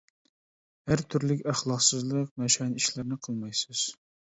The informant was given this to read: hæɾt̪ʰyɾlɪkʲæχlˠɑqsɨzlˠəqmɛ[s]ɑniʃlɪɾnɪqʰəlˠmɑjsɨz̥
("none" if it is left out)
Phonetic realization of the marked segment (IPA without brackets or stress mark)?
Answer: ʃ